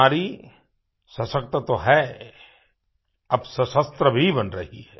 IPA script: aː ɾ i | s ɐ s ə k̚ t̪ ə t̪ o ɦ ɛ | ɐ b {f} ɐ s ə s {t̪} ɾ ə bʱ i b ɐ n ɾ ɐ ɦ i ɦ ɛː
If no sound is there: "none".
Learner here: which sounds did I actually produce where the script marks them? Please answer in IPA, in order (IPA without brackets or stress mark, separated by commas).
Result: s, t̪